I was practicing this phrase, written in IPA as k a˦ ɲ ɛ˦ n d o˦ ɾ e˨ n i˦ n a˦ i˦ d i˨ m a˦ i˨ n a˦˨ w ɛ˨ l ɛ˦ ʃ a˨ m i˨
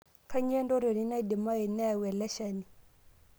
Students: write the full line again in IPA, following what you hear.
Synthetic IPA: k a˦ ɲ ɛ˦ n d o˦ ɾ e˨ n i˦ n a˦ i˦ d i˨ m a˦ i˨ n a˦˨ w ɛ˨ l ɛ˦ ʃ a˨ n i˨